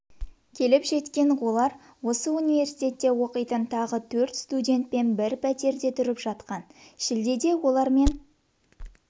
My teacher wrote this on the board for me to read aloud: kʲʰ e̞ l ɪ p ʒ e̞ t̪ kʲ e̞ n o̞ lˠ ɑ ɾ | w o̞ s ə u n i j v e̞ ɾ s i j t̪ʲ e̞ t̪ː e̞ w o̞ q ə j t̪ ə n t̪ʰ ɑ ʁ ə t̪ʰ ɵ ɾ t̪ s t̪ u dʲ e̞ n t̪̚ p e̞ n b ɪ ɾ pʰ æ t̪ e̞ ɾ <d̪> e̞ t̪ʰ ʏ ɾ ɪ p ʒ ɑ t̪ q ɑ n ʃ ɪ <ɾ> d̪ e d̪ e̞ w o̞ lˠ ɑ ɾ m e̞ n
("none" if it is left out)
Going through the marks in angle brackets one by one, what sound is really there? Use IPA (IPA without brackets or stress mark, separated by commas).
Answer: d̪, l